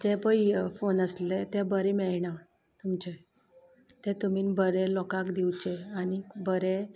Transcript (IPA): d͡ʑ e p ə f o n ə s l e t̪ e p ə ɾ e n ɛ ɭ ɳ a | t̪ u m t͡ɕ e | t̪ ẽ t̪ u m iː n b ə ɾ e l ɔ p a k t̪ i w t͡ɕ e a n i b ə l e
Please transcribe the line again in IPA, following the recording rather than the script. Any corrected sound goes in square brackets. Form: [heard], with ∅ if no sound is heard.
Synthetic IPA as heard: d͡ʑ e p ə f o n ə s l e t̪ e [b] ə ɾ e [m] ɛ ɭ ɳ a | t̪ u m t͡ɕ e | t̪ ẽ t̪ u m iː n b ə ɾ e l ɔ [k] a k [d̪] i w t͡ɕ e a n i b ə [ɾ] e